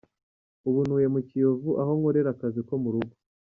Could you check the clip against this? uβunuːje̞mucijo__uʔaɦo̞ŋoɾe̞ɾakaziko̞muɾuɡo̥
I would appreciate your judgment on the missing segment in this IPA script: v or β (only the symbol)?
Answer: v